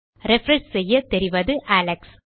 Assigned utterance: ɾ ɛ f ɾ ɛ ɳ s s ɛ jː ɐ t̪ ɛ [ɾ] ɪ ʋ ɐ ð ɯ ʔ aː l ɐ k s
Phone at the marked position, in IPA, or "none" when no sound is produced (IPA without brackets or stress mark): ɾ